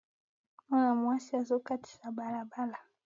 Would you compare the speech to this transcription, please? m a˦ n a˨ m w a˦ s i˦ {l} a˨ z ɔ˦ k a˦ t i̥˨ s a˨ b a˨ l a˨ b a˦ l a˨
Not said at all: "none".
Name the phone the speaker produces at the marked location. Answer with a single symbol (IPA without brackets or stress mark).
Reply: none